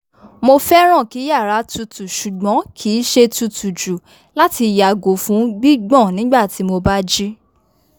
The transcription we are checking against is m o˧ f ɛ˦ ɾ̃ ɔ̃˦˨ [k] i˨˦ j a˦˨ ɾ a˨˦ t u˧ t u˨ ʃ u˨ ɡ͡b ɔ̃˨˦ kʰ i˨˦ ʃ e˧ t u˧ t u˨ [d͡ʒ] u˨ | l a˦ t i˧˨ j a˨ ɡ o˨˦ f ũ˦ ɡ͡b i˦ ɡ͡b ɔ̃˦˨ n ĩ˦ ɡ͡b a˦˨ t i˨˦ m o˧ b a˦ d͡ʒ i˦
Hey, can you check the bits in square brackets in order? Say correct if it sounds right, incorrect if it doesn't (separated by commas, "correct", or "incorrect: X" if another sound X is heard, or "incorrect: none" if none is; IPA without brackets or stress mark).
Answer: correct, correct